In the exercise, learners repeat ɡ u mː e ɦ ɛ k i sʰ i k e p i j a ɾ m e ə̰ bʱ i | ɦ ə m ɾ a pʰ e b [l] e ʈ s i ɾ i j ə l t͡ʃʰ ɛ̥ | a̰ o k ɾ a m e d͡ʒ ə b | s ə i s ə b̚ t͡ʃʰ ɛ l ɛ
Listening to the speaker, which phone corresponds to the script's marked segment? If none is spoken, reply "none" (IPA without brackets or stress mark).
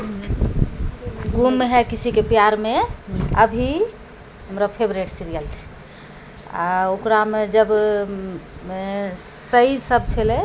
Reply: ɾ